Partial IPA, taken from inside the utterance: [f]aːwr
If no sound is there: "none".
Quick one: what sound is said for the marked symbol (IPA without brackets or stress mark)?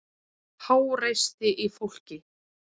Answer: h